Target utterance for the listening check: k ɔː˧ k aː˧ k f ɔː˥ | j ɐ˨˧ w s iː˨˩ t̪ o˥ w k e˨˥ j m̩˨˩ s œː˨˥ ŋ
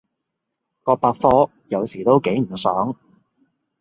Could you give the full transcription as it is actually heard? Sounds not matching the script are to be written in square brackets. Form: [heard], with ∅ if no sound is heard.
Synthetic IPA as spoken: k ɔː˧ [p] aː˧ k f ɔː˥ | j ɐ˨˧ w s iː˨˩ t̪ o˥ w k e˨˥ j m̩˨˩ s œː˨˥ ŋ